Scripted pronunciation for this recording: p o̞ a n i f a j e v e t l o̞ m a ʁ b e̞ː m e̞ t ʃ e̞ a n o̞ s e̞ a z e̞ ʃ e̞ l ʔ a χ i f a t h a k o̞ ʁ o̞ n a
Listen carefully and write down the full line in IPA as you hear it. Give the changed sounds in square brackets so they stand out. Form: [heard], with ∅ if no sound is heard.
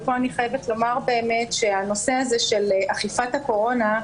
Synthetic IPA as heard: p o̞ a n i [χ] a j e v e t l o̞ m a ʁ b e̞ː m e̞ t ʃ e̞ a n o̞ s e̞ a z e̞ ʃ e̞ l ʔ a χ i f a t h a k o̞ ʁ o̞ n a